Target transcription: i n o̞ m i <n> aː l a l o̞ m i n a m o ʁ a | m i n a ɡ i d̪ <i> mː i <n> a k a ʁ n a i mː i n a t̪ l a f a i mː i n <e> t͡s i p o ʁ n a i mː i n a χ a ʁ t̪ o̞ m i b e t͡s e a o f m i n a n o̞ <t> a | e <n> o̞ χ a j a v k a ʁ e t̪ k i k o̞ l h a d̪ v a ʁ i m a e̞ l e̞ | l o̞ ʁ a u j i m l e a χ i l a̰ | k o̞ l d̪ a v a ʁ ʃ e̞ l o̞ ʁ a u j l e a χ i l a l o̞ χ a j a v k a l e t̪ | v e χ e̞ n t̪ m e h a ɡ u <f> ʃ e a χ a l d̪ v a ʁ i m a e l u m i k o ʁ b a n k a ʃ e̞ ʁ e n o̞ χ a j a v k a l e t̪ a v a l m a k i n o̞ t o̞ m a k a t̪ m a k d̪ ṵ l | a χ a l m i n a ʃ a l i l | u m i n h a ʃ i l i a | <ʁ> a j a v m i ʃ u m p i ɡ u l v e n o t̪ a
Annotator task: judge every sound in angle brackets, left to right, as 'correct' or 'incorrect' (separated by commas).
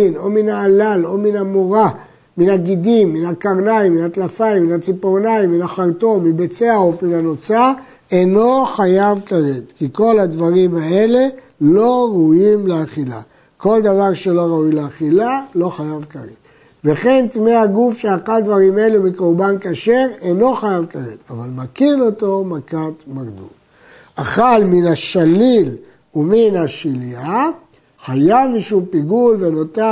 correct, correct, correct, incorrect, incorrect, correct, correct, incorrect